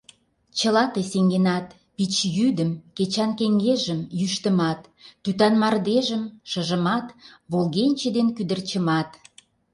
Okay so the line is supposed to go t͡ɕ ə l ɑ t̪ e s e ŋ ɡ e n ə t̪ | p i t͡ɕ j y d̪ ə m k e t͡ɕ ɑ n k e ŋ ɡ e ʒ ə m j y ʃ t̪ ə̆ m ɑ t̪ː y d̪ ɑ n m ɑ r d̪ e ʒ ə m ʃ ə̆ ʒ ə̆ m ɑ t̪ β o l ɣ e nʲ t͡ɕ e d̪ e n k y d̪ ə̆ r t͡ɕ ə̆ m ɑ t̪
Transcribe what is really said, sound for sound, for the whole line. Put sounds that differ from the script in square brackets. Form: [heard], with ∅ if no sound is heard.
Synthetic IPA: t͡ɕ ə l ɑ t̪ e s e ŋ ɡ e n [ɑ] t̪ | p i t͡ɕ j y d̪ ə m k e t͡ɕ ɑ n k e ŋ ɡ e ʒ ə m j y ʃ t̪ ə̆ m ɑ t̪ː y [t̪] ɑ n m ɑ r d̪ e ʒ ə m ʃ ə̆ ʒ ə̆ m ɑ t̪ β o l ɣ e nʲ t͡ɕ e d̪ e n k y d̪ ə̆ r t͡ɕ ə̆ m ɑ t̪